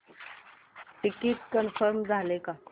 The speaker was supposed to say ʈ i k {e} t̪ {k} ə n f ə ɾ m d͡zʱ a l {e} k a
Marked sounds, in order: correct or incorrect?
incorrect: i, correct, correct

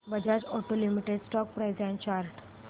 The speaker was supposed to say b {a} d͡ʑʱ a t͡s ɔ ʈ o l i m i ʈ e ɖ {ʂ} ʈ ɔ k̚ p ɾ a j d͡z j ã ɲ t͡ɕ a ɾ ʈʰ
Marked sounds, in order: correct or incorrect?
incorrect: ə, incorrect: s

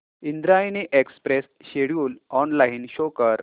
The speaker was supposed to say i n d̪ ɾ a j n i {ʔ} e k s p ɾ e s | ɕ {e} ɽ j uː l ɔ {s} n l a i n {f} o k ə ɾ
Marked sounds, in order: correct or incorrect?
correct, correct, incorrect: none, incorrect: ɕ

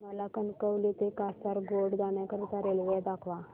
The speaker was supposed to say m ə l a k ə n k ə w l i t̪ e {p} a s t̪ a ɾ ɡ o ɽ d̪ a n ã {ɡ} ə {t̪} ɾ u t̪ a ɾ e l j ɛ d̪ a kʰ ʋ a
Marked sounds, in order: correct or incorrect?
incorrect: k, incorrect: k, incorrect: none

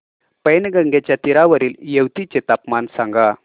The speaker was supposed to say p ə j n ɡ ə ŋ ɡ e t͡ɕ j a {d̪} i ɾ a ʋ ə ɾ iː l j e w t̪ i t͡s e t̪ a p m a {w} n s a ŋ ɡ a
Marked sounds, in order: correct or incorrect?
incorrect: t̪, incorrect: none

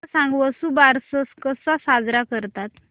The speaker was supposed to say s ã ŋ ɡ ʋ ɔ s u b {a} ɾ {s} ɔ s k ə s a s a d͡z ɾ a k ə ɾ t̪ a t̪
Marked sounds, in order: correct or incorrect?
correct, correct

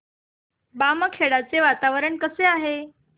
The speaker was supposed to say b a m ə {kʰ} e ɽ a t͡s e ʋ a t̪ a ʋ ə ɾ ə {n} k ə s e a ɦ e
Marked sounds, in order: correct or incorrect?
correct, incorrect: ɳ

